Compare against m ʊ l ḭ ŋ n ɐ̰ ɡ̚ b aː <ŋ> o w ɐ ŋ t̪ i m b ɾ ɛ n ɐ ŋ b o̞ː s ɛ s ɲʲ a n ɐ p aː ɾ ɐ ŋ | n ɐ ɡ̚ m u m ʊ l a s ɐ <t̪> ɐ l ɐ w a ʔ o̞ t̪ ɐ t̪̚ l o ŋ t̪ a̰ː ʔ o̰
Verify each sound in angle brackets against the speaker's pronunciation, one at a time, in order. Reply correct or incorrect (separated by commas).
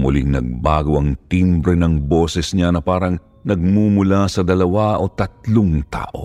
incorrect, incorrect